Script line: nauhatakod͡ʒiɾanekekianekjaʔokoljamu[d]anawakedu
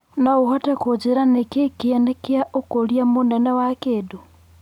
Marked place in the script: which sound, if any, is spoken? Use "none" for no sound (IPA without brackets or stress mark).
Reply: n